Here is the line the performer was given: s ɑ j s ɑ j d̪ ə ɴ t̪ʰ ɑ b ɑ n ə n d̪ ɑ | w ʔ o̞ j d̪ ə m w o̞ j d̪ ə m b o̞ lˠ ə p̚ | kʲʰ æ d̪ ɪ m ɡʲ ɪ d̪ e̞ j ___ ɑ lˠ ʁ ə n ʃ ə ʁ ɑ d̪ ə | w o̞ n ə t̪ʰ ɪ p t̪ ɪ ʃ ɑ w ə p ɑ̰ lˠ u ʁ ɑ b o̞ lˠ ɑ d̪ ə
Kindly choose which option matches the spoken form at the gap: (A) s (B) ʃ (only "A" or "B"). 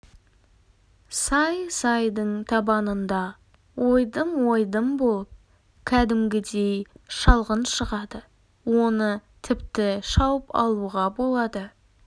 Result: B